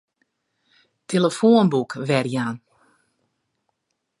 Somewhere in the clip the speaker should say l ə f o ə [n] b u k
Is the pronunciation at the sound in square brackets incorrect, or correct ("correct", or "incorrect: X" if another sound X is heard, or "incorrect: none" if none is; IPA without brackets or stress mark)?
correct